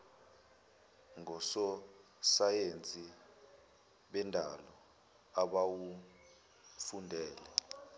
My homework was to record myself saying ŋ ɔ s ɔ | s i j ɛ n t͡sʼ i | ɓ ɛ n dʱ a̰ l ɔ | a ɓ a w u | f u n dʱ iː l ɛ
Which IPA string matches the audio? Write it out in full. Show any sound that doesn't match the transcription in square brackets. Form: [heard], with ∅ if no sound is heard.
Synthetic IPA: ŋ ɔ s ɔ | s [a] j [e] n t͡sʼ i | ɓ ɛ n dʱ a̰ l ɔ | a ɓ a w u | f u n dʱ [ɛː] l ɛ